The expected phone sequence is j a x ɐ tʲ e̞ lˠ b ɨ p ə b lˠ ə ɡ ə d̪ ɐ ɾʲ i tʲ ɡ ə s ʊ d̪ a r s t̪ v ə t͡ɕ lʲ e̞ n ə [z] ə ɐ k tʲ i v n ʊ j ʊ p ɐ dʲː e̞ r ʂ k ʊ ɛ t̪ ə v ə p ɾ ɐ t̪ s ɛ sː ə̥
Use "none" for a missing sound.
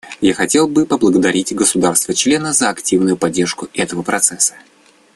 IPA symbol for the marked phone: z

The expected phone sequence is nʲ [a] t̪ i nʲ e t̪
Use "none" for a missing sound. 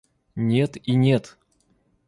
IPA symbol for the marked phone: e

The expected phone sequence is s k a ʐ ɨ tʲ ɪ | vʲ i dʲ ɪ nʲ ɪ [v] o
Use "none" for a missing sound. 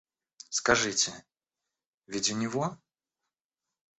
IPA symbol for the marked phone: v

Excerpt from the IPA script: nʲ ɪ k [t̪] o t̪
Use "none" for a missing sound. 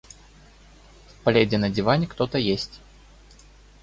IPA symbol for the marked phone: t̪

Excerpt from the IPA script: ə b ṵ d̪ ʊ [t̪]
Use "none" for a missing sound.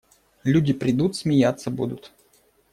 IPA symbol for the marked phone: t̪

